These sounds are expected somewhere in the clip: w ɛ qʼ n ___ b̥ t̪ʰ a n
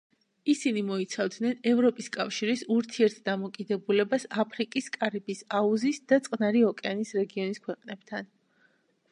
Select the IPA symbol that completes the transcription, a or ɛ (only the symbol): ɛ